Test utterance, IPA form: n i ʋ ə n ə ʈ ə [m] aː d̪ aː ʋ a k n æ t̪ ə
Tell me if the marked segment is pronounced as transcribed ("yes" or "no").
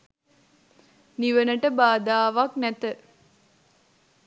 no